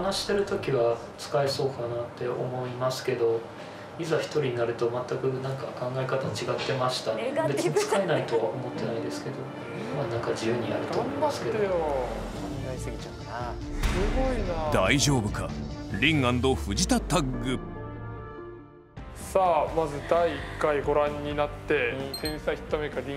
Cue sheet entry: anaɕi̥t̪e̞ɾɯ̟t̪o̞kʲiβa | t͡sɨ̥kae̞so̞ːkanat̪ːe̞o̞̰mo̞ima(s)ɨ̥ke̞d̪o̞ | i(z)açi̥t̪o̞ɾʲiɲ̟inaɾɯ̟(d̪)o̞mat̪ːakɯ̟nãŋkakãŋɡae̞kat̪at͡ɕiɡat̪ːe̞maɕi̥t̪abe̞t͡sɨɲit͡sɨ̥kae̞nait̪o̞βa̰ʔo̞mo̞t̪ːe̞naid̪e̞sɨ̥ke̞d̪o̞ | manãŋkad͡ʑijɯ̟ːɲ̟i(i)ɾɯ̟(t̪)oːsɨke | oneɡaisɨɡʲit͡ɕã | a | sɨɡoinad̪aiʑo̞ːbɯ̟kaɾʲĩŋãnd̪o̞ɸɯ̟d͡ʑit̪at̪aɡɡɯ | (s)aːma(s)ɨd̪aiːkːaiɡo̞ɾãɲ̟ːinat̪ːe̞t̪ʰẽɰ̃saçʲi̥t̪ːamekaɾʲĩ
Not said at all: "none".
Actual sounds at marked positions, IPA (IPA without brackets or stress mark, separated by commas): s, z, t̪, a, t̪, s, z